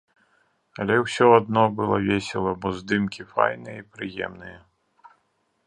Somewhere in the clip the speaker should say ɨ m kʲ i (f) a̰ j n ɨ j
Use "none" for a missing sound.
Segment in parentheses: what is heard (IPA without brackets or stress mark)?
f